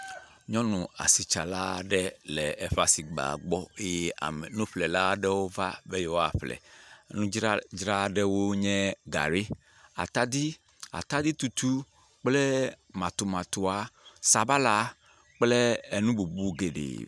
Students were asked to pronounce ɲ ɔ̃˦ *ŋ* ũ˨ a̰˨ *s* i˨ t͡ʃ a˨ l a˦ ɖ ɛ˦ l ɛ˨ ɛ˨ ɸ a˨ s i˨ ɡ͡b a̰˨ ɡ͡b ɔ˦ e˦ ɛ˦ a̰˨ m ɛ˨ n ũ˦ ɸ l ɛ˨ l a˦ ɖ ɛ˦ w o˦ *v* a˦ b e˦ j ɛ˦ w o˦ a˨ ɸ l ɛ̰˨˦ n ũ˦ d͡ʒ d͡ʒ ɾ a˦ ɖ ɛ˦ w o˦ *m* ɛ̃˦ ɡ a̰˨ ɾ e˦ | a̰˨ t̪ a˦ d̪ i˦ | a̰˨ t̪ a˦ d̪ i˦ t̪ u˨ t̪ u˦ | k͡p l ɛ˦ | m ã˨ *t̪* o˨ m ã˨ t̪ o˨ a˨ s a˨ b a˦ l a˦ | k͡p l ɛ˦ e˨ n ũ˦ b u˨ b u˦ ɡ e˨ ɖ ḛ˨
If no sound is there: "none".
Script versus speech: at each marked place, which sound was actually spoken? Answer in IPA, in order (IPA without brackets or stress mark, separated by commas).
n, s, v, ɲ, t̪